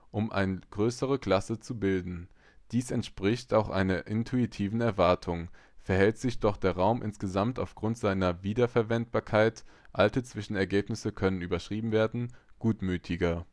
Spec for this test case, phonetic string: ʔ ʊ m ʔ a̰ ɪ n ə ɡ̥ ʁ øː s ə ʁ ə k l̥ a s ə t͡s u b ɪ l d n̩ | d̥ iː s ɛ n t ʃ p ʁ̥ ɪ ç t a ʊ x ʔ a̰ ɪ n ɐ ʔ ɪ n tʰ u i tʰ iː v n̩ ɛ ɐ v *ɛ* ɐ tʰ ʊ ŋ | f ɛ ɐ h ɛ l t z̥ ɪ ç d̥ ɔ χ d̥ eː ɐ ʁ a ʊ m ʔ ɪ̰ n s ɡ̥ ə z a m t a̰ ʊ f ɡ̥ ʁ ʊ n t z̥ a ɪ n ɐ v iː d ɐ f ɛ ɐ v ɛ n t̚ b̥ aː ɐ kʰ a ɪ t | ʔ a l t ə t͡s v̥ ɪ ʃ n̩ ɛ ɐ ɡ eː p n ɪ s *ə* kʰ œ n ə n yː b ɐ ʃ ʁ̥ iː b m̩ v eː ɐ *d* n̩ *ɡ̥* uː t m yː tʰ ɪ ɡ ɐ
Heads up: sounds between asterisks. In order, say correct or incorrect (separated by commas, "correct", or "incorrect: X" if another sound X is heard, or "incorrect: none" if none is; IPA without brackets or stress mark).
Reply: incorrect: a, correct, correct, correct